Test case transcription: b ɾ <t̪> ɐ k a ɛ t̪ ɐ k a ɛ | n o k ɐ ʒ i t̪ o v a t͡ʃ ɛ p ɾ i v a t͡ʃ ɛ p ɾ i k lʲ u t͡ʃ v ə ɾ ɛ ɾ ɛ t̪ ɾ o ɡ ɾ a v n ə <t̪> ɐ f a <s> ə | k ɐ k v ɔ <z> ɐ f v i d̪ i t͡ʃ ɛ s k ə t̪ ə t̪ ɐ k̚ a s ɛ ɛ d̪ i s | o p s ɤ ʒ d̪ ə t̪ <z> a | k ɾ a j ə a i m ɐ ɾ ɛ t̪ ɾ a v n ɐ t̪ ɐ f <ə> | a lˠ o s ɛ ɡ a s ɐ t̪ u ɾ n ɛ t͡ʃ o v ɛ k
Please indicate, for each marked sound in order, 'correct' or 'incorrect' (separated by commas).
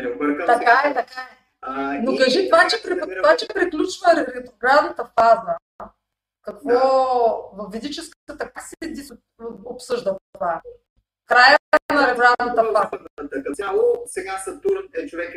correct, correct, incorrect, incorrect, incorrect, incorrect